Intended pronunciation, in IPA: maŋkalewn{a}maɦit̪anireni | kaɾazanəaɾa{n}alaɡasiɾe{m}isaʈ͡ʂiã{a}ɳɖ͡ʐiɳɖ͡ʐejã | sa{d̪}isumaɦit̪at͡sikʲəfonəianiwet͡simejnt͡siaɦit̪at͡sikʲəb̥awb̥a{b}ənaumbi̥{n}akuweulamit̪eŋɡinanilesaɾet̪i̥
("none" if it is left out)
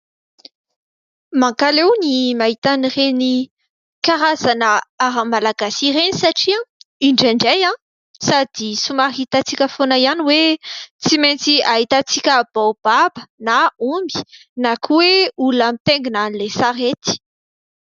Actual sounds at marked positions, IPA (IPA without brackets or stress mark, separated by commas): i, m, n, i, d̪, b, n